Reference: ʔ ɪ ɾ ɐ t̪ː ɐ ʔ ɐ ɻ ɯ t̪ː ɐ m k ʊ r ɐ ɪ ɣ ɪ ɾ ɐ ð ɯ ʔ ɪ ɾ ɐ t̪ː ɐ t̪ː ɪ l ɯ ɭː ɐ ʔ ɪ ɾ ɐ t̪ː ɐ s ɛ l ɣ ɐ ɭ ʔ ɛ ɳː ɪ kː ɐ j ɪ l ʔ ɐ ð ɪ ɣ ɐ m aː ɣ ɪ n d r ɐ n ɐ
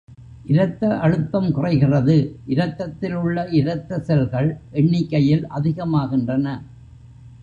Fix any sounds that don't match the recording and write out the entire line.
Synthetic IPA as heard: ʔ ɪ ɾ ɐ t̪ː ɐ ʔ ɐ ɻ ɯ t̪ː ɐ m k ʊ r ɐ ɪ ɣ ɪ r ɐ ð ɯ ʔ ɪ ɾ ɐ t̪ː ɐ t̪ː ɪ l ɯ ɭː ɐ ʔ ɪ ɾ ɐ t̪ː ɐ s ɛ l ɣ ɐ ɭ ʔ ɛ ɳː ɪ kː ɐ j ɪ l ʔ ɐ ð ɪ ɣ ɐ m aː ɣ ɪ n d r ɐ n ɐ

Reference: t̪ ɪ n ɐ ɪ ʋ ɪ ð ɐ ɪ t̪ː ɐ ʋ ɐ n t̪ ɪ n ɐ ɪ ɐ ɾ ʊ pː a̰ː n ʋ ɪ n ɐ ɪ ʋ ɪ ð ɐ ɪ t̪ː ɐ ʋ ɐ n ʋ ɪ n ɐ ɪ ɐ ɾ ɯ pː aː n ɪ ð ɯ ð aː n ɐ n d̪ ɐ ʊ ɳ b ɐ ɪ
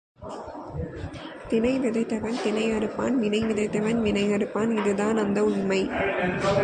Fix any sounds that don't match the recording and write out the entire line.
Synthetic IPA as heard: t̪ ɪ n ɐ ɪ ʋ ɪ ð ɐ ɪ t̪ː ɐ ʋ ɐ n t̪ ɪ n ɐ ɪ ɐ ɾ ɯ pː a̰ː n ʋ ɪ n ɐ ɪ ʋ ɪ ð ɐ ɪ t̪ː ɐ ʋ ɐ n ʋ ɪ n ɐ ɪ ɐ ɾ ɯ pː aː n ɪ ð ɯ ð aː n ɐ n d̪ ɐ ʊ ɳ m ɐ ɪ

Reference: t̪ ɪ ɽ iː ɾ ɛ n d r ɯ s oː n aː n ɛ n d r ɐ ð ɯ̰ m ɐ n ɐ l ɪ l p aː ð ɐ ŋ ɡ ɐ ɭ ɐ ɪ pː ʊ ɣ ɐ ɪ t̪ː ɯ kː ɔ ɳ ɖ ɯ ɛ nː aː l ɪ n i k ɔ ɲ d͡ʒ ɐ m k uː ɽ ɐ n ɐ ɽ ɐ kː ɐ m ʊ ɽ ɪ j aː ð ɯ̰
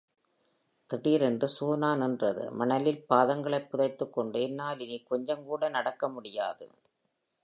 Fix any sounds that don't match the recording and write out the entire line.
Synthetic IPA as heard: t̪ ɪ ɽ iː ɾ ɛ n d r ɯ s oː n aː n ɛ n d r ɐ ð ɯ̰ m ɐ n ɐ l ɪ l p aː ð ɐ ŋ ɡ ɐ ɭ ɐ ɪ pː ʊ ð ɐ ɪ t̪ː ɯ kː ɔ ɳ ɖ ɯ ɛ nː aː l ɪ n i k ɔ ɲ d͡ʒ ɐ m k uː ɽ ɐ n ɐ ɽ ɐ kː ɐ m ʊ ɽ ɪ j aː ð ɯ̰

